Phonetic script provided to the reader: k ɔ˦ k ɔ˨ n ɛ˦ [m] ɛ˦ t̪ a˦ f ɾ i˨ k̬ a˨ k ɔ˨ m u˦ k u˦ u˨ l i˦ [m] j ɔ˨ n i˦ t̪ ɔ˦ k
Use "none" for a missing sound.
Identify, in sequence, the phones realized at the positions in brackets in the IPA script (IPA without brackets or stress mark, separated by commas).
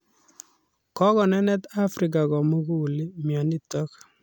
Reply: n, m